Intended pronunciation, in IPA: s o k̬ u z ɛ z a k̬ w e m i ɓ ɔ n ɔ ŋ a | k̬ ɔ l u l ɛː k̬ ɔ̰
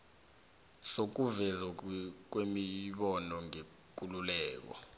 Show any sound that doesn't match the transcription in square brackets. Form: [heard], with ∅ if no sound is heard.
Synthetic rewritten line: s o k̬ u [v] ɛ z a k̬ w e m i ɓ ɔ n ɔ ŋ [e] | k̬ [u] l u l ɛː k̬ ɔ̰